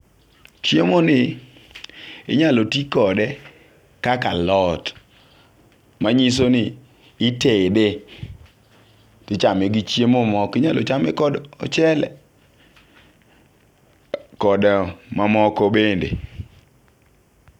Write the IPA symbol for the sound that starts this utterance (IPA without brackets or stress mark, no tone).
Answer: t͡ʃ